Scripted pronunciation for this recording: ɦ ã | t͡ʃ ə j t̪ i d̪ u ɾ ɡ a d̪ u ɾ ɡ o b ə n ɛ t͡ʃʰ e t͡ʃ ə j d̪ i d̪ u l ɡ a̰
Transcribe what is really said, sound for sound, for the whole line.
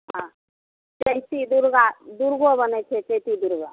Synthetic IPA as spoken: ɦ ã | t͡ʃ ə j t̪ i d̪ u ɾ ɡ a d̪ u ɾ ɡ o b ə n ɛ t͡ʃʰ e t͡ʃ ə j t̪ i d̪ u ɾ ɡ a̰